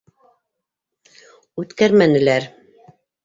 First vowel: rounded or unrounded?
rounded